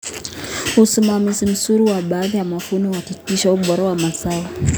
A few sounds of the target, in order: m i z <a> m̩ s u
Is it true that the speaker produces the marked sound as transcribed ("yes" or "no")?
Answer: no